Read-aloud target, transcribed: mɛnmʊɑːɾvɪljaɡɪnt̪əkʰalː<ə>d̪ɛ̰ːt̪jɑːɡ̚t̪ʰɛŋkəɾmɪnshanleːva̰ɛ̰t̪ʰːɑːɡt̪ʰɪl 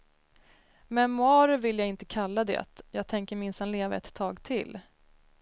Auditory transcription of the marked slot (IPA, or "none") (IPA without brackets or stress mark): a